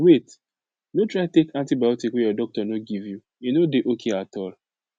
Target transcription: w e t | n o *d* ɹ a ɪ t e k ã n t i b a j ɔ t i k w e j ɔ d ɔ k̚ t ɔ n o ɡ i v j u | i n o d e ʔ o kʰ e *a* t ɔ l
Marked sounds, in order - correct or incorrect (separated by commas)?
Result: incorrect, correct